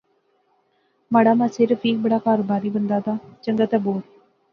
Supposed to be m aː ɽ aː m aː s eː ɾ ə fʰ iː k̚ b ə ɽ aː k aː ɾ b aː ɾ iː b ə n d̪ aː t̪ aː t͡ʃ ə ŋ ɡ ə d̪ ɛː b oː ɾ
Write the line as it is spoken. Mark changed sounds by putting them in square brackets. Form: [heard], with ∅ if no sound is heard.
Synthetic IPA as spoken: m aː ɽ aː m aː s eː ɾ ə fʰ iː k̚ b ə ɽ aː k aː ɾ b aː ɾ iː b ə n d̪ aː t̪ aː t͡ʃ ə ŋ ɡ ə [t̪] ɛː b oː ɾ